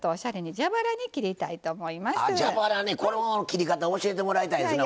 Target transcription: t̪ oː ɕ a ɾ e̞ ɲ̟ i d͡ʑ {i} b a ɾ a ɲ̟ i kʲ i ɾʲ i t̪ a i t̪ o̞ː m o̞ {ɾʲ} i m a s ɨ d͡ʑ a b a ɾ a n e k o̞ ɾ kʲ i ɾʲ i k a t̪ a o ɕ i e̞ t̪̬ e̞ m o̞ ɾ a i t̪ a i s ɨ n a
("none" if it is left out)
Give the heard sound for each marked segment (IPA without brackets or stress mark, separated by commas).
a, none